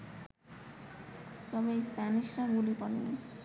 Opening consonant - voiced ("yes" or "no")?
no